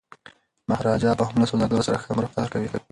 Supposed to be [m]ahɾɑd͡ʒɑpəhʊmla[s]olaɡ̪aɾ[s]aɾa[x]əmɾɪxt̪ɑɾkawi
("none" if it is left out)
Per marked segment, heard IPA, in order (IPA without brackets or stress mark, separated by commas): m, s, s, x